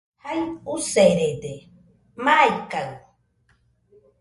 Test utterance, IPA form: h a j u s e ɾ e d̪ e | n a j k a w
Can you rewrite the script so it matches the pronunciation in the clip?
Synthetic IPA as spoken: h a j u s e ɾ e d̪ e | m a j k a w